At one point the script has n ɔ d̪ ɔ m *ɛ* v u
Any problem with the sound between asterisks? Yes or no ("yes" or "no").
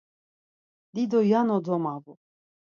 yes